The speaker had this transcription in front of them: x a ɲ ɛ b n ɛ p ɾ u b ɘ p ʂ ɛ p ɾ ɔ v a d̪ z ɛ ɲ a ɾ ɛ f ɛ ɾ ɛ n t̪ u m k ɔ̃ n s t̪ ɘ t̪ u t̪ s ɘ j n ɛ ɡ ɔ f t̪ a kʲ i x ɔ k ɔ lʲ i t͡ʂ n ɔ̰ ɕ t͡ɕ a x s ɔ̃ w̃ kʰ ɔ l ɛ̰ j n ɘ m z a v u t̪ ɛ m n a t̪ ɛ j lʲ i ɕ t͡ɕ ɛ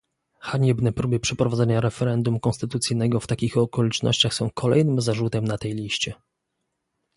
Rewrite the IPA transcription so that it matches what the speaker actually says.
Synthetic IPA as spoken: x a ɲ ɛ b n ɛ p ɾ u b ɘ p ʂ ɛ p ɾ ɔ v a d̪ z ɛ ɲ a ɾ ɛ f ɛ ɾ ɛ n d̪ u m k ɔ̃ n s t̪ ɘ t̪ u t̪ s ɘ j n ɛ ɡ ɔ f t̪ a kʲ i x ɔ k ɔ lʲ i t͡ʂ n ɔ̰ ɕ t͡ɕ a x s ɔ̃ w̃ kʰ ɔ l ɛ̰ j n ɘ m z a ʐ u t̪ ɛ m n a t̪ ɛ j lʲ i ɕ t͡ɕ ɛ

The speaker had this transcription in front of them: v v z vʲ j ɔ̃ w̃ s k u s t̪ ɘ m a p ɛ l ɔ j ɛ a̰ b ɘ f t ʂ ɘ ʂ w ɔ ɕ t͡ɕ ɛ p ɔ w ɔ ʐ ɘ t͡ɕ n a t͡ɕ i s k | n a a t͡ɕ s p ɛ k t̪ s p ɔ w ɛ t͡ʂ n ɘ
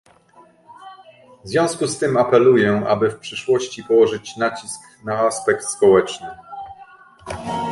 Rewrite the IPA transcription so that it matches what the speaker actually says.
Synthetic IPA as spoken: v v z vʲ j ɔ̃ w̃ s k u s t̪ ɘ m a p ɛ l u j ɛ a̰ b ɘ f p ʂ ɘ ʂ w ɔ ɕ t͡ɕ i p ɔ w ɔ ʐ ɘ t͡ɕ n a t͡ɕ i s k | n a a s p ɛ k t̪ s p ɔ w ɛ t͡ʂ n ɘ

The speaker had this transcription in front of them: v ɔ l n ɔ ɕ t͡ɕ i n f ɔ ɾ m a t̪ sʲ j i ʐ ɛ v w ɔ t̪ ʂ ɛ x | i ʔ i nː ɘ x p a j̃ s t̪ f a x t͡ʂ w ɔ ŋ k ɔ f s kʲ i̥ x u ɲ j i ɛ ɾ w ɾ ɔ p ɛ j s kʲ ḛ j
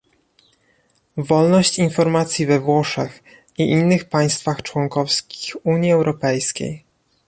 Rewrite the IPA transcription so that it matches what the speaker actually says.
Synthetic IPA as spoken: v ɔ l n ɔ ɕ t͡ɕ i n f ɔ ɾ m a t̪ sʲ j i v ɛ v w ɔ ʂ ɛ x | i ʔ i nː ɘ x p a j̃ s t̪ f a x t͡ʂ w ɔ ŋ k ɔ f s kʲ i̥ x u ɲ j i ɛ w ɾ ɔ p ɛ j s kʲ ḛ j

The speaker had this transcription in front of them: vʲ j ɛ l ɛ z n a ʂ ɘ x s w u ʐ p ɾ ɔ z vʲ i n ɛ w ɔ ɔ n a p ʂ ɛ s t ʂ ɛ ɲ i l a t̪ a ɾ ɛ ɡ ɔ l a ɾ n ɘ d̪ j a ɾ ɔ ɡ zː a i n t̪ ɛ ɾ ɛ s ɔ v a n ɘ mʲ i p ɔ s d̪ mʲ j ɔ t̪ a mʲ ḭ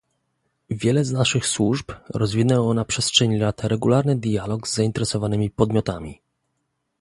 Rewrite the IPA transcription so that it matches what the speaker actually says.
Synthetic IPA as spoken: vʲ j ɛ l ɛ z n a ʂ ɘ x s w u ʐ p ɾ ɔ z vʲ i n ɛ w ɔ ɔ n a p ʂ ɛ s t ʂ ɛ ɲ i l a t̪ a ɾ ɛ ɡ u l a ɾ n ɘ d̪ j a l ɔ ɡ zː a i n t̪ ɛ ɾ ɛ s ɔ v a n ɘ mʲ i p ɔ d̪ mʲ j ɔ t̪ a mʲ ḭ

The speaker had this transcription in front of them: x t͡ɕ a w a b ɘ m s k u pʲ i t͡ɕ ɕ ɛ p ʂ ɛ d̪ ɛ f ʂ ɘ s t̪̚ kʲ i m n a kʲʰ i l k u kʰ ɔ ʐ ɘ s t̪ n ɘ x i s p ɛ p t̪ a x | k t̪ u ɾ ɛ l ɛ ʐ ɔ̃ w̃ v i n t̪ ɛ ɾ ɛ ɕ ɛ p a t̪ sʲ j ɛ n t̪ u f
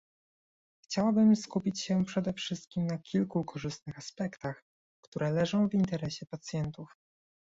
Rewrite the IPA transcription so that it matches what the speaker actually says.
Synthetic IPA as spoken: x t͡ɕ a w a b ɘ m s k u pʲ i t͡ɕ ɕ ɛ p ʂ ɛ d̪ ɛ f ʂ ɘ s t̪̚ kʲ i m n a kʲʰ i l k u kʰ ɔ ʐ ɘ s t̪ n ɘ x a s p ɛ k t̪ a x | k t̪ u ɾ ɛ l ɛ ʐ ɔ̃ w̃ v i n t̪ ɛ ɾ ɛ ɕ ɛ p a t̪ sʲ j ɛ n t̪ u f

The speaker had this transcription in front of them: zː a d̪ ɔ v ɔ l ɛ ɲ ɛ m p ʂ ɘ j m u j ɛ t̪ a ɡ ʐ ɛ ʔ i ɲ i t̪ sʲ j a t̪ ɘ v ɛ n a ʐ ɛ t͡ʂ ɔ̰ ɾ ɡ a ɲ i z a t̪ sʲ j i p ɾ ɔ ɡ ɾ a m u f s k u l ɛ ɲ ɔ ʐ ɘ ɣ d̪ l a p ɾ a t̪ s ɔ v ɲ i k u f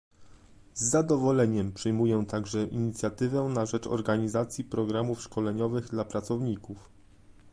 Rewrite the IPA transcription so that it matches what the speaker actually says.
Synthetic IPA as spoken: zː a d̪ ɔ v ɔ l ɛ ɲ ɛ m p ʂ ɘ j m u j ɛ t̪ a ɡ ʐ ɛ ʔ i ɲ i t̪ sʲ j a t̪ ɘ v ɛ n a ʐ ɛ t͡ʂ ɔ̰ ɾ ɡ a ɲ i z a t̪ sʲ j i p ɾ ɔ ɡ ɾ a m u f ʂ k ɔ l ɛ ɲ ɔ v ɘ ɣ d̪ l a p ɾ a t̪ s ɔ v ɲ i k u f

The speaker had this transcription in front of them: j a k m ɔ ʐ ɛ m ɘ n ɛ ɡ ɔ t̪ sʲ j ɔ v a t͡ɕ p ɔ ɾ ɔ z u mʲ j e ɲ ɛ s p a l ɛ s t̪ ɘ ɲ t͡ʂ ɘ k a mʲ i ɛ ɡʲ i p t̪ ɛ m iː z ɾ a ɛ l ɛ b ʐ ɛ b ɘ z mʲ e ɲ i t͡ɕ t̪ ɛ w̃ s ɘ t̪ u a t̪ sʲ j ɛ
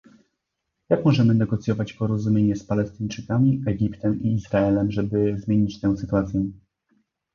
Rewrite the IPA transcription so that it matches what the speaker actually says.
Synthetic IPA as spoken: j a k m ɔ ʐ ɛ m ɘ n ɛ ɡ ɔ t̪ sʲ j ɔ v a t͡ɕ p ɔ ɾ ɔ z u mʲ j e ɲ ɛ s p a l ɛ s t̪ ɘ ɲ t͡ʂ ɘ k a mʲ i ɛ ɡʲ i p t̪ ɛ m iː z ɾ a ɛ l ɛ m ʐ ɛ b ɘ z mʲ e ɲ i t͡ɕ t̪ ɛ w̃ s ɘ t̪ u a t̪ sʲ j ɛ

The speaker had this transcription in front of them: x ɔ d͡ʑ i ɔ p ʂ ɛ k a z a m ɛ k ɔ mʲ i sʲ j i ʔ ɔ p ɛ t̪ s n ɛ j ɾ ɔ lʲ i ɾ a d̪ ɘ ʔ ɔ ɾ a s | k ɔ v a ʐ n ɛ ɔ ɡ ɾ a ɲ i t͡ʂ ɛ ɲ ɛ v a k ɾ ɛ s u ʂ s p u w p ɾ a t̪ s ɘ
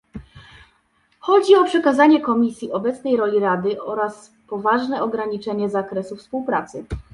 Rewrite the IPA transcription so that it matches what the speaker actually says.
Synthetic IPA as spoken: x ɔ d͡ʑ i ɔ p ʂ ɛ k a z a ɲ ɛ k ɔ mʲ i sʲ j i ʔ ɔ b ɛ t̪ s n ɛ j ɾ ɔ lʲ i ɾ a d̪ ɘ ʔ ɔ ɾ a s | p ɔ v a ʐ n ɛ ɔ ɡ ɾ a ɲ i t͡ʂ ɛ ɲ ɛ z a k ɾ ɛ s u f s p u w p ɾ a t̪ s ɘ

